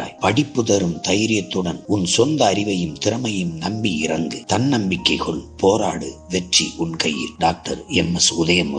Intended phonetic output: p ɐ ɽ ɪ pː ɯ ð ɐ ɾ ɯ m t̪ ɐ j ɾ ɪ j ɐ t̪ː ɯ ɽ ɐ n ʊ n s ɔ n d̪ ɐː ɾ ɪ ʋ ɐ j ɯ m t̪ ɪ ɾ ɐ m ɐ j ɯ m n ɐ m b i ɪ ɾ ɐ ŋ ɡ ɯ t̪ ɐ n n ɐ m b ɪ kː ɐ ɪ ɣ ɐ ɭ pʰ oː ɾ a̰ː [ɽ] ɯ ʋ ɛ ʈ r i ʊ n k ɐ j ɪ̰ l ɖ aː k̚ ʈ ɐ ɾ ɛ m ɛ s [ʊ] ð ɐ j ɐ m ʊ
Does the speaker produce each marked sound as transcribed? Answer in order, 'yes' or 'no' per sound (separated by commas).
yes, yes